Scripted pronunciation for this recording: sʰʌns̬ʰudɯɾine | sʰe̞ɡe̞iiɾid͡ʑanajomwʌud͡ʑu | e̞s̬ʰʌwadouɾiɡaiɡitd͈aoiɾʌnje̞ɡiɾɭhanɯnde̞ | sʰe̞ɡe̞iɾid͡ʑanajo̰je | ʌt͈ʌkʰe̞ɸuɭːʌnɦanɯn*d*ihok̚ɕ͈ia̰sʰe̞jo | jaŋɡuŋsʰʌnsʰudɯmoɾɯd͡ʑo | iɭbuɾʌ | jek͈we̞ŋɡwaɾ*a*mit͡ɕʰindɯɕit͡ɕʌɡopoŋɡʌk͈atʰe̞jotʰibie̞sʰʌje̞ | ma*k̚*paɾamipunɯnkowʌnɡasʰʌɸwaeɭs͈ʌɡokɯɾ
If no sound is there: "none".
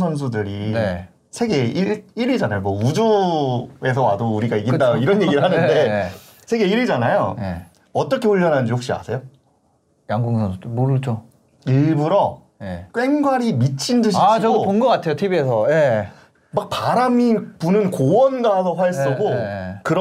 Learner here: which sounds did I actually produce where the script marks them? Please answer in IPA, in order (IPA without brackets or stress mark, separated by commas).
d͡ʑ, i, k̚